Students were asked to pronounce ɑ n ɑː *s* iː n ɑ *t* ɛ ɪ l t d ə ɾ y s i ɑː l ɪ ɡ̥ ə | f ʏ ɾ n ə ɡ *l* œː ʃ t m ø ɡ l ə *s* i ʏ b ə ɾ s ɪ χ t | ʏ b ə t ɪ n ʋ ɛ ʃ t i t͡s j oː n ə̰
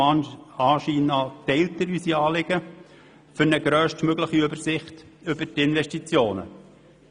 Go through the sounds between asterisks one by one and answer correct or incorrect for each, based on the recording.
incorrect: ʃ, correct, incorrect: ɾ, incorrect: χ

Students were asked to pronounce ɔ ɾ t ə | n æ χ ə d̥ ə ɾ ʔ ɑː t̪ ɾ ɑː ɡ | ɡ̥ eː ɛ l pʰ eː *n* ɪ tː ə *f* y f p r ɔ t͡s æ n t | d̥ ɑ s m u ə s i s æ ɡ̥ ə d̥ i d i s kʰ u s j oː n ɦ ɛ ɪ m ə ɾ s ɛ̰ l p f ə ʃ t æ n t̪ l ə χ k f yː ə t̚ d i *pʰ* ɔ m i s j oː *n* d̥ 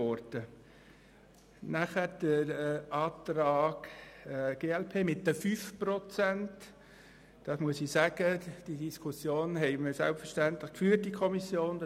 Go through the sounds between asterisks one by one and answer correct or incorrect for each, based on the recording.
incorrect: m, correct, incorrect: kʰ, correct

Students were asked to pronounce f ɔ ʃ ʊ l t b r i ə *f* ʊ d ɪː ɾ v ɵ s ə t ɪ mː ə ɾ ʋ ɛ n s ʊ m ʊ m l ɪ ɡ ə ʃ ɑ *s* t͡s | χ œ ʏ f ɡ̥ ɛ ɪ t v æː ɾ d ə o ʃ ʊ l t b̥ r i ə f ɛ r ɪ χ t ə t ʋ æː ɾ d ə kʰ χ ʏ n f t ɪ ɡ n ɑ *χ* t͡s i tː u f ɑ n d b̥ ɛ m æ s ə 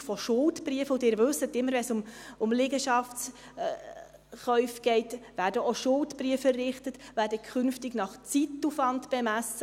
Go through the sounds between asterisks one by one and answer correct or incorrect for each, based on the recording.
correct, incorrect: f, correct

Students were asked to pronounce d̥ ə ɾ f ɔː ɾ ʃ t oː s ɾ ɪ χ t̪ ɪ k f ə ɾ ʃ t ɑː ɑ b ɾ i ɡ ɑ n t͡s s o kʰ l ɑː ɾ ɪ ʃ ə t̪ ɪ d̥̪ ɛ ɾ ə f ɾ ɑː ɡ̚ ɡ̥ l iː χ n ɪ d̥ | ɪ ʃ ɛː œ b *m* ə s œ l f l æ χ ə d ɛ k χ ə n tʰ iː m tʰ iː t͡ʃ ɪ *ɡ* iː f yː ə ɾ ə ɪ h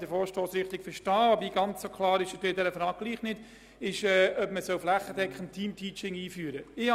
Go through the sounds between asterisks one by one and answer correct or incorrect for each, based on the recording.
correct, incorrect: ŋ

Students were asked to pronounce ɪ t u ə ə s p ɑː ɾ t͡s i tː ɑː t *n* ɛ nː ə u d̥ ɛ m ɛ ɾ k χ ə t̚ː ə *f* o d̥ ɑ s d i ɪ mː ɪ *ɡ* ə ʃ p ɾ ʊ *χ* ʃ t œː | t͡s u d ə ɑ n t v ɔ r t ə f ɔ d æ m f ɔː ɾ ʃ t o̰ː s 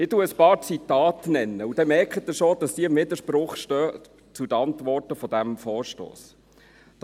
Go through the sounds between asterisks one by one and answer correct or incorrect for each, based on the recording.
correct, incorrect: ʃ, incorrect: d, correct

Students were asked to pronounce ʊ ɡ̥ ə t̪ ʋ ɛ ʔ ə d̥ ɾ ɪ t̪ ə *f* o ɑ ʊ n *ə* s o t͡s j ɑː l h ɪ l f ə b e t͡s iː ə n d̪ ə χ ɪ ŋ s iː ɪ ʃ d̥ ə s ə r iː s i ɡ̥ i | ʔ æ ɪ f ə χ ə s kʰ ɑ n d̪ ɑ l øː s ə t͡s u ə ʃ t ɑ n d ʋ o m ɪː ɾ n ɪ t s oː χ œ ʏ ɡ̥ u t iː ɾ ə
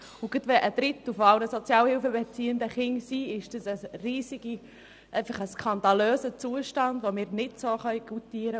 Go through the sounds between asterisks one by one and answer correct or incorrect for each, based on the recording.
correct, correct

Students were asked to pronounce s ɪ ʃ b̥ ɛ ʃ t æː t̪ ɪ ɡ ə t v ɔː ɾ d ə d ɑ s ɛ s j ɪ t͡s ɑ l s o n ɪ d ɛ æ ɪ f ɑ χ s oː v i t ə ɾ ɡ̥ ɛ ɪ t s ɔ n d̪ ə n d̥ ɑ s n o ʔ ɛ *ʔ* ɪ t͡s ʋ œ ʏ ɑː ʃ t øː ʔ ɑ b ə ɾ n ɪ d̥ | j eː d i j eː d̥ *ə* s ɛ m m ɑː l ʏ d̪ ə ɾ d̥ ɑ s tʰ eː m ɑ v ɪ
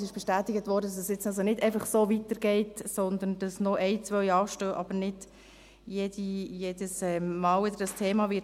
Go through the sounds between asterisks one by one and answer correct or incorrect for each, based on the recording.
incorrect: none, correct

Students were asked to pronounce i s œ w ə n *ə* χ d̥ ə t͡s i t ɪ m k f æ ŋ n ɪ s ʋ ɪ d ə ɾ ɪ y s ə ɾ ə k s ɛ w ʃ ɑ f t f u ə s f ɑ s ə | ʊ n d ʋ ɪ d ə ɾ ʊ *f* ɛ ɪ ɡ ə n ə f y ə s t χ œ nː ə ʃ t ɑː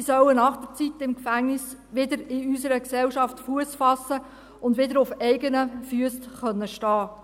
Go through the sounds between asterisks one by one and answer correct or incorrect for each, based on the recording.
incorrect: ɑ, correct

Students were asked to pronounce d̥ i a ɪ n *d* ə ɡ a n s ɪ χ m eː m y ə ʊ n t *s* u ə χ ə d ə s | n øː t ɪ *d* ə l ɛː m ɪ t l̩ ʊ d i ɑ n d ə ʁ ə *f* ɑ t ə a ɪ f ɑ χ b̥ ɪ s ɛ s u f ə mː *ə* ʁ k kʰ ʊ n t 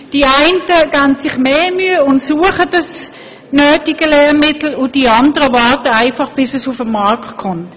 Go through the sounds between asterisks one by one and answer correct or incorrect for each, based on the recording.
incorrect: t, correct, incorrect: ɡ, incorrect: v, incorrect: ɑ

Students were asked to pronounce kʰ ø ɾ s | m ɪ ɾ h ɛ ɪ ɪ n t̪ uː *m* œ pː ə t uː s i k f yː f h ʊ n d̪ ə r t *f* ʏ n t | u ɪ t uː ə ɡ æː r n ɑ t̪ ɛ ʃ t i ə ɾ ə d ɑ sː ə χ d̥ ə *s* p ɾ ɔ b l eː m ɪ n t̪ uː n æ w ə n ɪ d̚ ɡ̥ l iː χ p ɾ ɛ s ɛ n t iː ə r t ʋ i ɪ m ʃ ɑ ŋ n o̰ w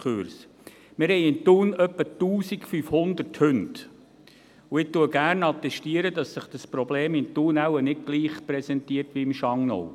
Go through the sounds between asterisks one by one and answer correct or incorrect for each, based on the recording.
incorrect: n, incorrect: h, correct

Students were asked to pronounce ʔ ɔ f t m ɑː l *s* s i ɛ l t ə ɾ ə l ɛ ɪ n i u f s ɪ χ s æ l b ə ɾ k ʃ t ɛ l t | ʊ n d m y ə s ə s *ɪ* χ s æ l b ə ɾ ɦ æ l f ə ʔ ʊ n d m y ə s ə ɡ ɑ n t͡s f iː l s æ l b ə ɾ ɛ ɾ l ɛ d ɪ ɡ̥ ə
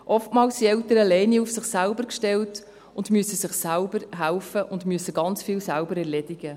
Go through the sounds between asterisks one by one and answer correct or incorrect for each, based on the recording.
correct, correct

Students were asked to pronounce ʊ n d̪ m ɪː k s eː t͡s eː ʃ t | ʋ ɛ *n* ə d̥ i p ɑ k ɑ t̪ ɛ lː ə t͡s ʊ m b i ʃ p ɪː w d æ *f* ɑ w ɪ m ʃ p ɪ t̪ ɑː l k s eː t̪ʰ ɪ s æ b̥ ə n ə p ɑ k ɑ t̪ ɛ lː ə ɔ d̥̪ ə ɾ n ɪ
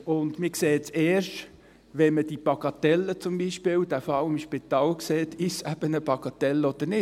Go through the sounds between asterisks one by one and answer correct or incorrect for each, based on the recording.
incorrect: m, correct

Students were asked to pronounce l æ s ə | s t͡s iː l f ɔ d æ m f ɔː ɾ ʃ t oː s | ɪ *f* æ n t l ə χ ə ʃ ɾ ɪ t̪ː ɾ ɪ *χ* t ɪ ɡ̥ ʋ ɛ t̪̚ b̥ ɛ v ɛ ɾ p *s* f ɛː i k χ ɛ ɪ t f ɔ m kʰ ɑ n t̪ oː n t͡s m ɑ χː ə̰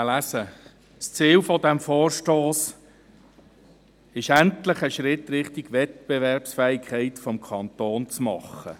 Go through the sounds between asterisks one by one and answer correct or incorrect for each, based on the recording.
incorrect: ʃ, correct, correct

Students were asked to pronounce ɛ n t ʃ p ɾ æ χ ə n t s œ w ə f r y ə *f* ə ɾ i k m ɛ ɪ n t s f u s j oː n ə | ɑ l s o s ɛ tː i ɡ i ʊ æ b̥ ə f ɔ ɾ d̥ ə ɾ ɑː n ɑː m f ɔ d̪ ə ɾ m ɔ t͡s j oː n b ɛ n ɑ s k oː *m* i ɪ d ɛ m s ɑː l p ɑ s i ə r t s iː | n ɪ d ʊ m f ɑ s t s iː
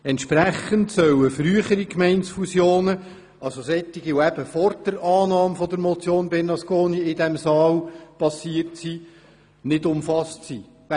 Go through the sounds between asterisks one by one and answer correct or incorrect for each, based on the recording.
incorrect: χ, incorrect: n

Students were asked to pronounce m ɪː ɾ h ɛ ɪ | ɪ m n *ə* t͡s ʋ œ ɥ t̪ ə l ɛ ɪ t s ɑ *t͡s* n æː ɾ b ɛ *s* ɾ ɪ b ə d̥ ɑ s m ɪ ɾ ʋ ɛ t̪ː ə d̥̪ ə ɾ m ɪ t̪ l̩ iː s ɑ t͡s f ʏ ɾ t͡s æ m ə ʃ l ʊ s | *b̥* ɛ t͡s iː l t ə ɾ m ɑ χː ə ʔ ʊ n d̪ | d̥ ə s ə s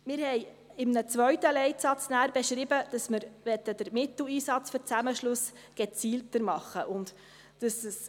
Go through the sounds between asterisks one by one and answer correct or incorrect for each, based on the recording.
correct, correct, incorrect: ʃ, incorrect: ɡ̥

